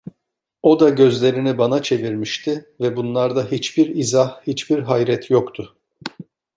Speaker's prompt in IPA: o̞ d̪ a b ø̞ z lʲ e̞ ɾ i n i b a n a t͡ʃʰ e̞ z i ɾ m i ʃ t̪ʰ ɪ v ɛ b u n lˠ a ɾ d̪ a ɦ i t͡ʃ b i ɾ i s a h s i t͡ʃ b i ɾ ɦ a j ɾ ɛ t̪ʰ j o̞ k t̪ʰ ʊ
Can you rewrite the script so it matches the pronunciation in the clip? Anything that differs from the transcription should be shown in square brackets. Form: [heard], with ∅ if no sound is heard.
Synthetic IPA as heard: o̞ d̪ a [ɟ] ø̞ z lʲ e̞ ɾ i n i b a n a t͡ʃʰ e̞ [v] i ɾ m i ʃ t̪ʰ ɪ v ɛ b u n lˠ a ɾ d̪ a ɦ i t͡ʃ b i ɾ i [z] a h [h] i t͡ʃ b i ɾ ɦ a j ɾ ɛ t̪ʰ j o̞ k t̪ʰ ʊ